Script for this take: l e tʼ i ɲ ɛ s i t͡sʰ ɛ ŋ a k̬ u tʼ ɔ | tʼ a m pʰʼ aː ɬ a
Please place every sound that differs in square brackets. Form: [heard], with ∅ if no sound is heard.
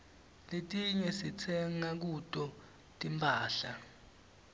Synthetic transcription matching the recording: l e tʼ i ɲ ɛ s i t͡sʰ ɛ ŋ a k̬ u tʼ ɔ | tʼ [i] m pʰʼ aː ɬ a